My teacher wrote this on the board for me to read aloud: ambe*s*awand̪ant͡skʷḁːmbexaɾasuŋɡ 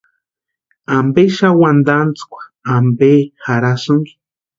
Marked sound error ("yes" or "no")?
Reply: yes